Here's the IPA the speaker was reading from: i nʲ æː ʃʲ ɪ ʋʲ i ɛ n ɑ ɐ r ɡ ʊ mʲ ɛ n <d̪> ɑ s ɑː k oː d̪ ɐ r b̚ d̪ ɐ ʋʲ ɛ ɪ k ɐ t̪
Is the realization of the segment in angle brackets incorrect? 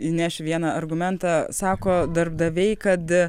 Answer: yes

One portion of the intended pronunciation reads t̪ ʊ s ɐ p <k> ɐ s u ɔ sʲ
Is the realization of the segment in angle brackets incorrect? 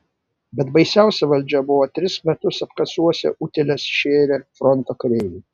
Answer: no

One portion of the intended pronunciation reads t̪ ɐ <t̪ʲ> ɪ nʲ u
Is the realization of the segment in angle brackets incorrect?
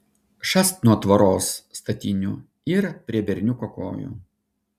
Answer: no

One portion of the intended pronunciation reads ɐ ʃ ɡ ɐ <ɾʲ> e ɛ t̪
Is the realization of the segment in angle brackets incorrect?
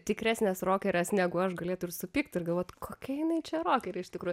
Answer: yes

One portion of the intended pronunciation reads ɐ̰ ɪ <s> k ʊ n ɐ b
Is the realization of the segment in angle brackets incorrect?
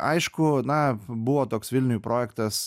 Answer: yes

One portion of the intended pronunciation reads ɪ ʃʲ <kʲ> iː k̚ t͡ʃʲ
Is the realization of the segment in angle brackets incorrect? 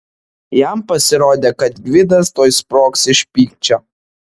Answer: yes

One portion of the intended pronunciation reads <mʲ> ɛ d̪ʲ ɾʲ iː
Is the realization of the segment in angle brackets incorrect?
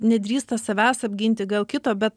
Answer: yes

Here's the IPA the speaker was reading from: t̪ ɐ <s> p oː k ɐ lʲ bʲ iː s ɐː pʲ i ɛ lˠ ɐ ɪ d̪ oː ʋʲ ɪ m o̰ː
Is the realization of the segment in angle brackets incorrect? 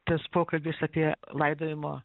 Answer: no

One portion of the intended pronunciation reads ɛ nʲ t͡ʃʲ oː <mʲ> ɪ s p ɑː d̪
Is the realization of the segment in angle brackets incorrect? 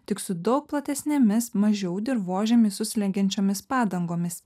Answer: no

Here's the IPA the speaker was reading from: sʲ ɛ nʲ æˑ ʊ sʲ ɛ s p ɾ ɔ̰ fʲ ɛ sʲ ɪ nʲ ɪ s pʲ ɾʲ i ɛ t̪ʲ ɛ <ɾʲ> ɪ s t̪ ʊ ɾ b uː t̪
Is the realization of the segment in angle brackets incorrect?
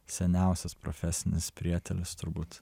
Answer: yes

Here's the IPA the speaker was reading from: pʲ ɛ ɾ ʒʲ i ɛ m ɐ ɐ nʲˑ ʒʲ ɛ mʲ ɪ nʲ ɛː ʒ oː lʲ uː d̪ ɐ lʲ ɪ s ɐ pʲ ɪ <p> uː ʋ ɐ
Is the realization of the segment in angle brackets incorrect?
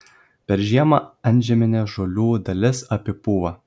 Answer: no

